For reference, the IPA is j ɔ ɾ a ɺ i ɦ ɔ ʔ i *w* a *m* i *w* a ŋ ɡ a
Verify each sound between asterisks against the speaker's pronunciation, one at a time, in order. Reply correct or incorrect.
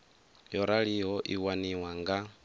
correct, incorrect: n, correct

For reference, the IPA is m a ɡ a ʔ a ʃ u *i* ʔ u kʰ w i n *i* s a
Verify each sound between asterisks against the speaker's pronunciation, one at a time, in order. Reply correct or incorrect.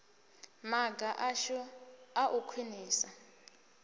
incorrect: a, incorrect: iː

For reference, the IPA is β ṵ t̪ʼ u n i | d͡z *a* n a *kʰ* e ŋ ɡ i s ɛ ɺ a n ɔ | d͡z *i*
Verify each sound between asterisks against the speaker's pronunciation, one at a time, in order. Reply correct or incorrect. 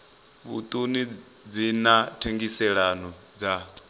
incorrect: i, incorrect: tʰ, incorrect: a

